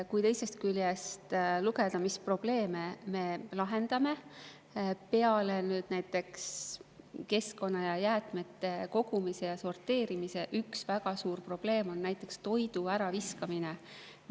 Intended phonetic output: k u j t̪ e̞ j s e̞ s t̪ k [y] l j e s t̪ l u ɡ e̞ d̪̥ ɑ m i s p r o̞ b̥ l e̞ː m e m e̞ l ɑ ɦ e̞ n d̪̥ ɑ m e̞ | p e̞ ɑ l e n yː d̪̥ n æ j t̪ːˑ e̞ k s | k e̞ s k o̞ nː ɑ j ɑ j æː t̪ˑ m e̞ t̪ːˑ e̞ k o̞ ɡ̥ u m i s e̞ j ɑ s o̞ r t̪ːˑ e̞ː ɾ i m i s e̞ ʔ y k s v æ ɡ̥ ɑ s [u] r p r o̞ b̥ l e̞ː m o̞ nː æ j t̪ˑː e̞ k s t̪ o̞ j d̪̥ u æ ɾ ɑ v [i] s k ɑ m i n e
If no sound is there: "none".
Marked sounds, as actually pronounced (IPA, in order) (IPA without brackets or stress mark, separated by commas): y, uː, i